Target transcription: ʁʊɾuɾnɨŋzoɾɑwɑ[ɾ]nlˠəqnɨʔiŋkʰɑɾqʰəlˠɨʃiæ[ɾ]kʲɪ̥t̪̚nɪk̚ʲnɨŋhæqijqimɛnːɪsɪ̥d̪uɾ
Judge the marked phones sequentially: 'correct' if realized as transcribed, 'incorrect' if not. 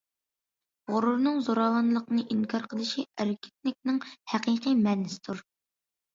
incorrect, correct

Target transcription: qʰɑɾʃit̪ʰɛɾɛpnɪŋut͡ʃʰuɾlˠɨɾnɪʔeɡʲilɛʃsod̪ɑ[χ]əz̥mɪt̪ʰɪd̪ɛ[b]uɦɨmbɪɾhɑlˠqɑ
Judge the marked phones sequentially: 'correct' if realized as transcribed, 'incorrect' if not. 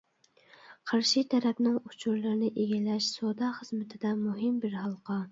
correct, incorrect

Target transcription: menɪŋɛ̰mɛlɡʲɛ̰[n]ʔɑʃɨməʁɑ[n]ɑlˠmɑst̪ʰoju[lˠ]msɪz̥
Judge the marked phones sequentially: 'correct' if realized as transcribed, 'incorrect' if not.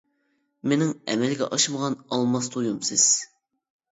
incorrect, correct, incorrect

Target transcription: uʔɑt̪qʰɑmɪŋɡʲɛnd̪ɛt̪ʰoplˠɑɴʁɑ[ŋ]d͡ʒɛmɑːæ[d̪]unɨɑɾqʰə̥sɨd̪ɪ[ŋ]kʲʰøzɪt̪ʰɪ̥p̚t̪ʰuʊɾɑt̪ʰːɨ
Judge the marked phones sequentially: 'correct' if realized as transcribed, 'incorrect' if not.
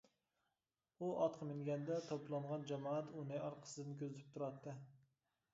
incorrect, incorrect, incorrect

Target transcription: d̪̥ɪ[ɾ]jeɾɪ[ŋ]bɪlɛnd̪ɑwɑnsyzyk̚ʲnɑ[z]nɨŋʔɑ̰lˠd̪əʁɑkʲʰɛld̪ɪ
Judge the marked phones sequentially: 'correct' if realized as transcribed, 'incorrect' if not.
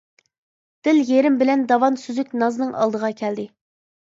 incorrect, incorrect, correct

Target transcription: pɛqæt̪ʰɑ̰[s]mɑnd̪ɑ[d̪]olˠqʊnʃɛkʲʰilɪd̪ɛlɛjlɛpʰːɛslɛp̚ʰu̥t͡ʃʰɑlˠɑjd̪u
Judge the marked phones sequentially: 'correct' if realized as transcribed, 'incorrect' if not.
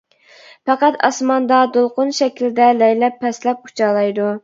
correct, correct

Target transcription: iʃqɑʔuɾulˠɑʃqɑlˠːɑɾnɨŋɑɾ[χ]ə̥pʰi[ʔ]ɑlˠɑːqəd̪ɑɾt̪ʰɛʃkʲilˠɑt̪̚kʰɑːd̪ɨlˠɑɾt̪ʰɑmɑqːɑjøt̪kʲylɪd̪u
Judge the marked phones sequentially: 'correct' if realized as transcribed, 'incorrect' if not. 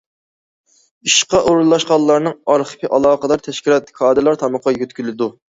correct, correct

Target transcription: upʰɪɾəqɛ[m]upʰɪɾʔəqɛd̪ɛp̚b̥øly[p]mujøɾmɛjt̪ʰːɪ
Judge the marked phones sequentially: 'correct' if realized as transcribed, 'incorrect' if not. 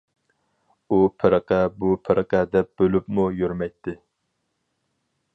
incorrect, correct

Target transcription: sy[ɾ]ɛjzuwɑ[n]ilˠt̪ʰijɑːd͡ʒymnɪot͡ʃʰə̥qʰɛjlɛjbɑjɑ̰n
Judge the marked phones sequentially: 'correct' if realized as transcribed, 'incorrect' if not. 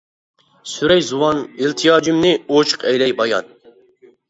correct, correct

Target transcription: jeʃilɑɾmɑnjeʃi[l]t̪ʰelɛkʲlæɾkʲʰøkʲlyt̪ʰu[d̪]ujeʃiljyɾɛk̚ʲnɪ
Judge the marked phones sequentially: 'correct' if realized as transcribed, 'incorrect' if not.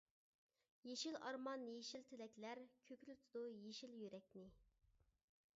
correct, correct

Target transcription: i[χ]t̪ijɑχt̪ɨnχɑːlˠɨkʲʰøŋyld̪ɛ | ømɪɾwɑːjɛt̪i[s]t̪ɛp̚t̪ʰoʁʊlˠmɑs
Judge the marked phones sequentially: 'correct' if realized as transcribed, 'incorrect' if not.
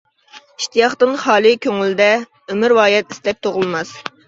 incorrect, correct

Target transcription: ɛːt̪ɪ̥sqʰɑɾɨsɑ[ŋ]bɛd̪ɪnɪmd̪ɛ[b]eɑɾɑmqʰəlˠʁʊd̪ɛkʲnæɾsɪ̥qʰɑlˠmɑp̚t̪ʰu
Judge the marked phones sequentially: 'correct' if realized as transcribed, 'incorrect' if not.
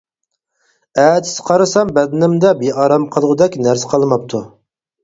incorrect, correct

